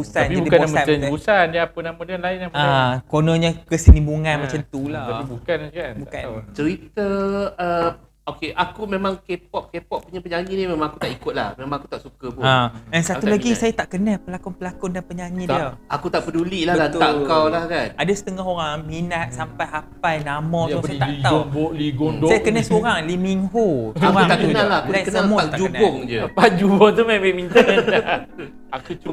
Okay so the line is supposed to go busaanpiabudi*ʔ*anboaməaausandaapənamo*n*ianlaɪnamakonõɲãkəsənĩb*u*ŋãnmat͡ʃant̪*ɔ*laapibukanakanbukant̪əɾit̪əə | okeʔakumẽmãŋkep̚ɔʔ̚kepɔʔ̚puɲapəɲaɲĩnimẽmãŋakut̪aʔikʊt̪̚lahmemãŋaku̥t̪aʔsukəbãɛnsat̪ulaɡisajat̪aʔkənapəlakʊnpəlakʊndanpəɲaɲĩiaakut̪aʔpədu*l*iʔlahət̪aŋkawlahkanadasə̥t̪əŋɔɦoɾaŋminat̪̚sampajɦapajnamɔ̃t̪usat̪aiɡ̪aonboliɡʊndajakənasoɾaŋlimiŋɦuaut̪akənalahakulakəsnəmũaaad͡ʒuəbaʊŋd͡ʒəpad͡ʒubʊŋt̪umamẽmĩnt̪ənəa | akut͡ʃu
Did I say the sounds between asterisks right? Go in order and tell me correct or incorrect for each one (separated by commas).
incorrect, incorrect, correct, incorrect, correct